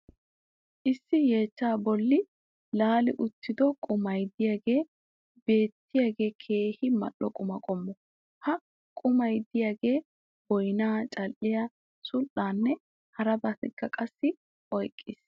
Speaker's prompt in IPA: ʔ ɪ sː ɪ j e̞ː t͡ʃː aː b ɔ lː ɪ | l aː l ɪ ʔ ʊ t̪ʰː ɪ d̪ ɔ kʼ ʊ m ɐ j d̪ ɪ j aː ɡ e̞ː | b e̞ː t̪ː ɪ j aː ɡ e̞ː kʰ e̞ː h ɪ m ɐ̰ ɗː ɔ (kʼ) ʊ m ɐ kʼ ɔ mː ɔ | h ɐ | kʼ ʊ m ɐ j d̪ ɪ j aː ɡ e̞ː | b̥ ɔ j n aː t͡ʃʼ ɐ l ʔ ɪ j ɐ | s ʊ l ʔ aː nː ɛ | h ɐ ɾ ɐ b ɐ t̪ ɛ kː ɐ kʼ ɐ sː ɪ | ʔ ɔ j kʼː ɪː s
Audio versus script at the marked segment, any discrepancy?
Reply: no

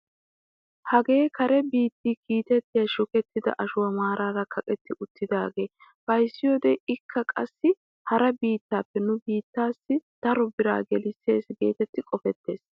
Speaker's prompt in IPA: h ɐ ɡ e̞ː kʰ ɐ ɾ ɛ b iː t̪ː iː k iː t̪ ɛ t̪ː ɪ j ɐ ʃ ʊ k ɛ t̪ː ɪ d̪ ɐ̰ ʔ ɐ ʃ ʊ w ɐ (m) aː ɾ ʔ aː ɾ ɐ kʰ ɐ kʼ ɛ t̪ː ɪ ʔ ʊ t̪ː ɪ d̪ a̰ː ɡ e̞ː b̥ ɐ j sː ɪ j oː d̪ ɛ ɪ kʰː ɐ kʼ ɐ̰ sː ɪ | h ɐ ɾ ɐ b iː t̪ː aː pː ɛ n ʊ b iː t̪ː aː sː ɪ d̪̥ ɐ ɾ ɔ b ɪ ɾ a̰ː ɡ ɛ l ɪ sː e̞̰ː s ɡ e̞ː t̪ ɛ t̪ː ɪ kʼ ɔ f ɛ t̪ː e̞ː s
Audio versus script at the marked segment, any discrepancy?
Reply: no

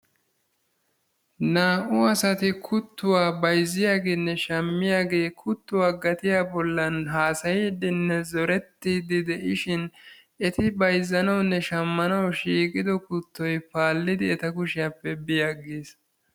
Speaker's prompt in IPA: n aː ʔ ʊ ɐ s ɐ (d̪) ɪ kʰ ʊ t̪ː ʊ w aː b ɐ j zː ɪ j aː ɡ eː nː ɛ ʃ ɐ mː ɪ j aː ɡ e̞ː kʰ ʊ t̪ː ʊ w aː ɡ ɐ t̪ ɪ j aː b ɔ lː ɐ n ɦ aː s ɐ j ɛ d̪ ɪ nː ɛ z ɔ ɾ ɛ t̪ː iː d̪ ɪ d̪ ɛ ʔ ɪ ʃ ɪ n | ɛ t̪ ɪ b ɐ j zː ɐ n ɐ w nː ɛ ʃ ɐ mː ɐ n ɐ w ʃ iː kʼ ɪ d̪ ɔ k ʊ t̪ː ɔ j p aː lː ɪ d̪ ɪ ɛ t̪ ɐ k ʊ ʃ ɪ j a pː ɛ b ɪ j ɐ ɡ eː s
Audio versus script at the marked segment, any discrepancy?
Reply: yes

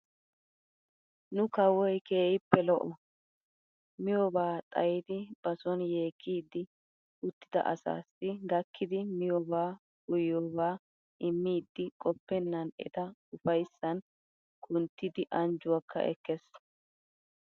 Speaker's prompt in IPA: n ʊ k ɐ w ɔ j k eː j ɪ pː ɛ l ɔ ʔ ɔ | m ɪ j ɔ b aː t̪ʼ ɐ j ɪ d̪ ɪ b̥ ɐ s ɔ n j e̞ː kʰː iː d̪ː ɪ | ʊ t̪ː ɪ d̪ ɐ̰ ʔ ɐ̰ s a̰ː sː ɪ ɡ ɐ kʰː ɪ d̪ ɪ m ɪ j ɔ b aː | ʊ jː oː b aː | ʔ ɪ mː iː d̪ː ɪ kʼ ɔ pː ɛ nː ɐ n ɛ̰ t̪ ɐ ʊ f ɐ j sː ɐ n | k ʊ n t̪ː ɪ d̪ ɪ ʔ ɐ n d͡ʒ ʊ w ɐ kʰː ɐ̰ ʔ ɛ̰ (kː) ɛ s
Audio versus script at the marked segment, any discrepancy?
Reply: no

